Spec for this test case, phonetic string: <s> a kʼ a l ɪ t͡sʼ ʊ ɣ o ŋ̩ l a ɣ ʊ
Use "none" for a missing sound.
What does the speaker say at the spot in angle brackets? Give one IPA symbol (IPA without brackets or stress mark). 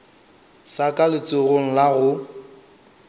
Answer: s